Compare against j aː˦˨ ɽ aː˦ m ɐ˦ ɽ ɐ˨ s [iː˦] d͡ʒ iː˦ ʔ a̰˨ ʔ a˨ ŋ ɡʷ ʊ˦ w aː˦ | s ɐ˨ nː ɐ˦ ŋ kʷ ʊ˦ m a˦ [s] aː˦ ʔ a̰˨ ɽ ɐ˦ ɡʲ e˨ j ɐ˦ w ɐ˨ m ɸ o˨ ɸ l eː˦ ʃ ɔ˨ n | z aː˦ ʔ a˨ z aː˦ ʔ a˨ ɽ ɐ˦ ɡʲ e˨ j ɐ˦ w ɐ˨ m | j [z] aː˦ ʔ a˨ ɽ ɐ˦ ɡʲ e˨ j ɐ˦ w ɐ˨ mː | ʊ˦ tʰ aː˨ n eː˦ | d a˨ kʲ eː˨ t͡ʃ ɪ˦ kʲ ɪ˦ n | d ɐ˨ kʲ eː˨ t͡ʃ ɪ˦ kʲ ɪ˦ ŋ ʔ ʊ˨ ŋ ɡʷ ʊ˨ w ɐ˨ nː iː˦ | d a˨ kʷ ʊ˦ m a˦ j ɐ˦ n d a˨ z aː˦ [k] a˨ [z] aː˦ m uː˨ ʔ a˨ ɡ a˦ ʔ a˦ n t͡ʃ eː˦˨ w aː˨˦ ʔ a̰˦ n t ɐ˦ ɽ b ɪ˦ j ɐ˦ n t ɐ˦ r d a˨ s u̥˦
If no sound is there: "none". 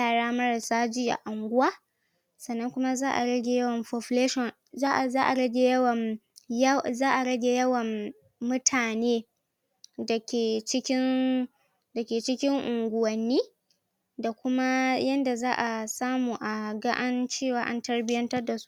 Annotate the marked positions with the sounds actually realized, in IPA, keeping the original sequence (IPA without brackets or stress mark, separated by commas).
aː˦, z, z, ʔ, s